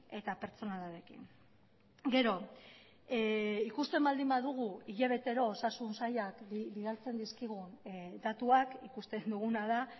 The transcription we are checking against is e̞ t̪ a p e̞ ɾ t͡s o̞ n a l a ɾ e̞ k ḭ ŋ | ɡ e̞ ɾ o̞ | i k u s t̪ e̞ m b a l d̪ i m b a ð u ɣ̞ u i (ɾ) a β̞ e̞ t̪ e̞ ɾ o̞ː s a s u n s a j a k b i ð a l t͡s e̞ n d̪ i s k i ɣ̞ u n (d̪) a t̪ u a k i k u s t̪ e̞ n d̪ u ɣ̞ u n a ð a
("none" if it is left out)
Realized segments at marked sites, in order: ʎ, d̪

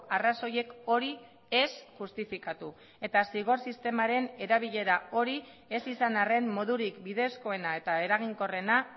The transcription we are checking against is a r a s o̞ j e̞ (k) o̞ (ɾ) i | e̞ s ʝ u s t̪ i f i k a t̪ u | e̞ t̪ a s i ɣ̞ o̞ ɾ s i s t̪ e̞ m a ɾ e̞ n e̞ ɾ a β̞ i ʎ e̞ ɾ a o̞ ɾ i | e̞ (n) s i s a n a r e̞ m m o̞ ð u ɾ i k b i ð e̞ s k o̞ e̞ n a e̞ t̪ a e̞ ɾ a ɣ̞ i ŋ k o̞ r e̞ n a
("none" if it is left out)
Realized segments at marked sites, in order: k, ɾ, none

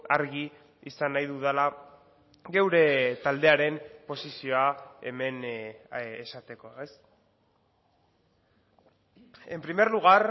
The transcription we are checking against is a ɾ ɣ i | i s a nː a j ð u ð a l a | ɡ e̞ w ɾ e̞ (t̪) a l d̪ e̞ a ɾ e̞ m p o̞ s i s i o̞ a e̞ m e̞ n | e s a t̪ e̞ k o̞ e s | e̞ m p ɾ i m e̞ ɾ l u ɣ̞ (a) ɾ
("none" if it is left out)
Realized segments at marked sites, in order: t̪, a

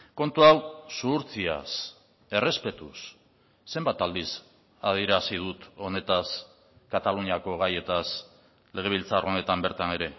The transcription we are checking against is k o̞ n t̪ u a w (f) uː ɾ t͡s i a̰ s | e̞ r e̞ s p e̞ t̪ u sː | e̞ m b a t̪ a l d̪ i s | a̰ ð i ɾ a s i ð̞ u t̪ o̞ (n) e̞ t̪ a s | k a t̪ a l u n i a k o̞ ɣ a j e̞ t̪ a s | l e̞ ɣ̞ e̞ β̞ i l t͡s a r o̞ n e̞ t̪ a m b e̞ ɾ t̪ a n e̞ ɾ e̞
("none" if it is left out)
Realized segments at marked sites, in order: s, n

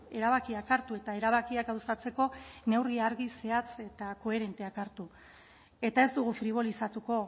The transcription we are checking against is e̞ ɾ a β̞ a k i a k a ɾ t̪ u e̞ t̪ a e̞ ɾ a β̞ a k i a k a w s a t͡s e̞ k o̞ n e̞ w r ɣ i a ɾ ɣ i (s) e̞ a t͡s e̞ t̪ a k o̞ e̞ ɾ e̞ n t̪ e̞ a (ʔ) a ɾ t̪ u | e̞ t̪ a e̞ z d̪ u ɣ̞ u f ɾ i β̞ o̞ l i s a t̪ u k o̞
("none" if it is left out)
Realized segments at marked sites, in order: s, k

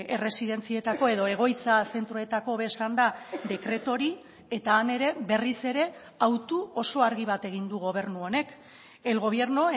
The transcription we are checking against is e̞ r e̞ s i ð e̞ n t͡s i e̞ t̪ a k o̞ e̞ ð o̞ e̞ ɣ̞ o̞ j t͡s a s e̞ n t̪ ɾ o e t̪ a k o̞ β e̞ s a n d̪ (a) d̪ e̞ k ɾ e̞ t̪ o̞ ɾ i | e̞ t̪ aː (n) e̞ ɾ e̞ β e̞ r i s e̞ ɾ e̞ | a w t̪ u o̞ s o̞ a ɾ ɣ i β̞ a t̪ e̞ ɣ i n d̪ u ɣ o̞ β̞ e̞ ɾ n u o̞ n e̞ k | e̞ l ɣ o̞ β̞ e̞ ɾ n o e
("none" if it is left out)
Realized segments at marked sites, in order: a, n

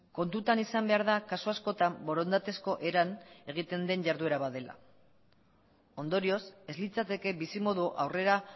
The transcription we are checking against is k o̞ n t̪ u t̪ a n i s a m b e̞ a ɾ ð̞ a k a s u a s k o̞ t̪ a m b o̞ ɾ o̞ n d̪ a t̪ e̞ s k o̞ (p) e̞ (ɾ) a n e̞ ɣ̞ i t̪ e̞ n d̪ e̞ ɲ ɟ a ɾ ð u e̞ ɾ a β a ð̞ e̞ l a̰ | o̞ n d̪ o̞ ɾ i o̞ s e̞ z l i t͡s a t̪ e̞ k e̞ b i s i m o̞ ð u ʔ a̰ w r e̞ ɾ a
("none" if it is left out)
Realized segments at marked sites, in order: ʔ, ɾ

